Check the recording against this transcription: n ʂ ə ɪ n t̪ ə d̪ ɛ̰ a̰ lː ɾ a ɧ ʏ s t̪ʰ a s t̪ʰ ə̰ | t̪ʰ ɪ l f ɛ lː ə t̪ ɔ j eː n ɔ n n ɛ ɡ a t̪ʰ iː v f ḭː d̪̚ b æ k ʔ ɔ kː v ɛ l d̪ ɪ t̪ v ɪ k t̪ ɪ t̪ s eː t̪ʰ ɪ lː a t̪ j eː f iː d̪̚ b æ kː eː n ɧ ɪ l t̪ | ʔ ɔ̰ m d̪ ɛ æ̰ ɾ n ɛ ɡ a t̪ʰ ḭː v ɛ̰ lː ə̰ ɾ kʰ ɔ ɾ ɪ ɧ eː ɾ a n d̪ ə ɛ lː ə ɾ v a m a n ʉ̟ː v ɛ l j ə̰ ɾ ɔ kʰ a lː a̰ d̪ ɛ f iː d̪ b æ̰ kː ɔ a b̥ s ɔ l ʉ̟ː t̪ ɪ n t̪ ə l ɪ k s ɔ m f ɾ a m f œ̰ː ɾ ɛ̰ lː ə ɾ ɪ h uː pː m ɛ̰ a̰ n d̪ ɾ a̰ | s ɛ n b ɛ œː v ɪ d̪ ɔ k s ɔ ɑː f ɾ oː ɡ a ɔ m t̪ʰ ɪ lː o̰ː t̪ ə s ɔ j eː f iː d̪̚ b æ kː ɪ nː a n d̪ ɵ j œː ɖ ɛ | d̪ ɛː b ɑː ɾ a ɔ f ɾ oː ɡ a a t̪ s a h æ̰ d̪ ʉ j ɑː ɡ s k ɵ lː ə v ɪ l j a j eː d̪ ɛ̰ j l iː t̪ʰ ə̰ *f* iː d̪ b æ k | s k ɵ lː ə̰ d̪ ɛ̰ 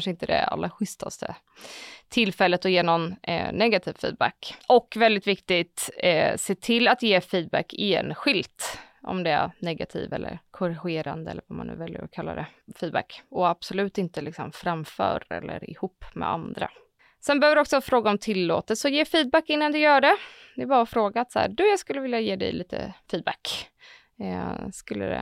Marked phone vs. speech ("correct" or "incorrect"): correct